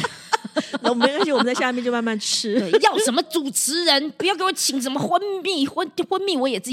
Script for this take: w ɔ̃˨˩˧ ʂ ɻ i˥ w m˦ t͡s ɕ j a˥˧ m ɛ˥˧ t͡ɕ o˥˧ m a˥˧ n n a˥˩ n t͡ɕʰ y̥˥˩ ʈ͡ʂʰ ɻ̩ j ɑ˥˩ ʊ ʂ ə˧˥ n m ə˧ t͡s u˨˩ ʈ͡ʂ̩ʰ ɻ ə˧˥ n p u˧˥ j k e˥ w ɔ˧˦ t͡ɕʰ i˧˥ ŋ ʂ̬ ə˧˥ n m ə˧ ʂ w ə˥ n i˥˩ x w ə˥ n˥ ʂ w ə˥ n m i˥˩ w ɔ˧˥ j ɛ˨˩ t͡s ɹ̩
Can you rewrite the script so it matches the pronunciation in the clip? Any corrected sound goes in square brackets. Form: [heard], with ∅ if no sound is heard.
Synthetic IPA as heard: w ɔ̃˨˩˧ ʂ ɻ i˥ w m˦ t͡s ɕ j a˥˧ m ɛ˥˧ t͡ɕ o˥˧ m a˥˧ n [m] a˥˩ n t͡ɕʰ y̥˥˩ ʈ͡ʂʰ ɻ̩ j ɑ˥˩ ʊ ʂ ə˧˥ n m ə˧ t͡s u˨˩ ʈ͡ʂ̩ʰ ɻ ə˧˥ n p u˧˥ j k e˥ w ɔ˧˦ t͡ɕʰ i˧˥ ŋ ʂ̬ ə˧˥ n m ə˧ [x] w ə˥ n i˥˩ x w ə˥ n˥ [x] w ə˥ n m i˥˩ w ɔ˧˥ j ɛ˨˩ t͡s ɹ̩